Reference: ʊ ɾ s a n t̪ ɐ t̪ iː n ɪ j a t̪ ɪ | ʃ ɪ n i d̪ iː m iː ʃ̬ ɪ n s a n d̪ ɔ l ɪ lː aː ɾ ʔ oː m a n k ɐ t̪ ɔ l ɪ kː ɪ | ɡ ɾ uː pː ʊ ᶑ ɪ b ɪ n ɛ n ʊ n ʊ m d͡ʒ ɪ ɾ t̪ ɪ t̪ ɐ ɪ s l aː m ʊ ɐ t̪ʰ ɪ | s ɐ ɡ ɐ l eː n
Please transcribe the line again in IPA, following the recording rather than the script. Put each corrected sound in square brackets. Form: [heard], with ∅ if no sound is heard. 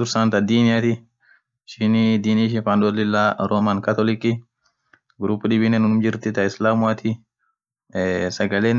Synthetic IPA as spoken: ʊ ɾ s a n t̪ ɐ [d̪] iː n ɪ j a t̪ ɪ | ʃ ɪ n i d̪ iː [n] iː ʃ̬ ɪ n [f] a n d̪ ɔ l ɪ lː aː ɾ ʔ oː m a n k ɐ t̪ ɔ l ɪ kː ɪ | ɡ ɾ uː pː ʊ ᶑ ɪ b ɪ n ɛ n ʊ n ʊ m d͡ʒ ɪ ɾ t̪ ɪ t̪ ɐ ɪ s l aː m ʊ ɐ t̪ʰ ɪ | s ɐ ɡ ɐ l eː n

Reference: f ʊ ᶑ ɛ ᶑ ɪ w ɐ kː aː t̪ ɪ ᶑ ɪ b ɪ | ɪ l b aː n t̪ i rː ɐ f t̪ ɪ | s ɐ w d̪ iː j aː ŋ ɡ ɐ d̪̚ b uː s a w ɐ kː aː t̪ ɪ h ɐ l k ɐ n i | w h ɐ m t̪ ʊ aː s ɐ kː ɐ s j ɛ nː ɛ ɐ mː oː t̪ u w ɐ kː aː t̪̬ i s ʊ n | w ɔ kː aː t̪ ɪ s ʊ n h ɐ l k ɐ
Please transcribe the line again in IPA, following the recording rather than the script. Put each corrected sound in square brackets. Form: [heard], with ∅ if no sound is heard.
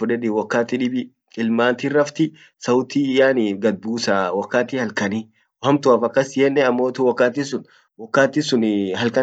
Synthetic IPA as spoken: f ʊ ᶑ ɛ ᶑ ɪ w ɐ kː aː t̪ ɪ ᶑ ɪ b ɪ | ɪ l [m] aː n t̪ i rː ɐ f t̪ ɪ | s ɐ w [t̪] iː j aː [n] ɡ ɐ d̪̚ b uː s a w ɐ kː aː t̪ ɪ h ɐ l k ɐ n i | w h ɐ m t̪ ʊ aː [f] ɐ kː ɐ s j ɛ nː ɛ ɐ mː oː t̪ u w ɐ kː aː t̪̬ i s ʊ n | w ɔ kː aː t̪ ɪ s ʊ n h ɐ l k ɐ

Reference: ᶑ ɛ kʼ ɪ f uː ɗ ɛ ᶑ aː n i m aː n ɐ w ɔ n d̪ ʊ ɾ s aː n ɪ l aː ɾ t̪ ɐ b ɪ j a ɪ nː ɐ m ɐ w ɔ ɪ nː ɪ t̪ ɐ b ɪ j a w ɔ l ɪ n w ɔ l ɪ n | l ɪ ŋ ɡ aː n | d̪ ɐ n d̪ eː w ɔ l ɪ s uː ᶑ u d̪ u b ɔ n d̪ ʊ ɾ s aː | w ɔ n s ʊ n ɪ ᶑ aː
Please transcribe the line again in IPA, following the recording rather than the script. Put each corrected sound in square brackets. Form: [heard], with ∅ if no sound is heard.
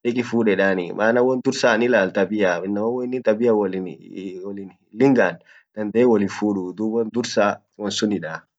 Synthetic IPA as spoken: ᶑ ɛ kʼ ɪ f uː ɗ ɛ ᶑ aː n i m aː n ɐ w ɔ n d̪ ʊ ɾ s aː n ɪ l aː [l] t̪ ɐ b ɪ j a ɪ nː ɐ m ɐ w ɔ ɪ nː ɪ t̪ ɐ b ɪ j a w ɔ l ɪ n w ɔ l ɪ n | l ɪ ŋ ɡ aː n | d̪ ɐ n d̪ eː w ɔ l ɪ [f] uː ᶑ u d̪ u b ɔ n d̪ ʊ ɾ s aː | w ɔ n s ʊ n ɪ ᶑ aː

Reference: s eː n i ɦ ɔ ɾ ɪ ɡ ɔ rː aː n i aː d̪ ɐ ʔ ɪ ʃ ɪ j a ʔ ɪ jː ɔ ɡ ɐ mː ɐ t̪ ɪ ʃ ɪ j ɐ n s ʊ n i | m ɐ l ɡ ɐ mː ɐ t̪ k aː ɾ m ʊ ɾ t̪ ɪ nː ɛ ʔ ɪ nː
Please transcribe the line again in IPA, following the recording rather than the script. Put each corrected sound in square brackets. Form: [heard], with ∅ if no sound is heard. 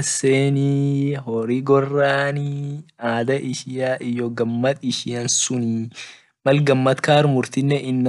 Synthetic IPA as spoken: s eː n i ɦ ɔ ɾ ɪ ɡ ɔ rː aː n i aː d̪ ɐ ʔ ɪ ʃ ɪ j a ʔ ɪ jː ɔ ɡ ɐ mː ɐ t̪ ɪ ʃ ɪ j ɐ n s ʊ n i | m ɐ l ɡ ɐ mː ɐ t̪ k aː ɾ m ʊ ɾ t̪ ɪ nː ɛ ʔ ɪ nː

